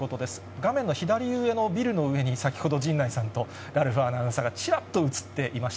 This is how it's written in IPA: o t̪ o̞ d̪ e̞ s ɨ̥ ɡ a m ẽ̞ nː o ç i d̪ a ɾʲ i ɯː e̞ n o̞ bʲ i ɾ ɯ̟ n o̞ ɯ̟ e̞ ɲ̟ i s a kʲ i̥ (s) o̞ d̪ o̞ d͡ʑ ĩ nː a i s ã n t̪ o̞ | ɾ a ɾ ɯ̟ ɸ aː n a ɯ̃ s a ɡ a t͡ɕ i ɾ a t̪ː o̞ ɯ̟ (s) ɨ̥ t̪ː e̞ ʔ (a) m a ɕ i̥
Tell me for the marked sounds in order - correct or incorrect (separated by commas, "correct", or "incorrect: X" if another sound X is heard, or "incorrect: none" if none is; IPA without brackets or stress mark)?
incorrect: h, incorrect: t͡s, incorrect: i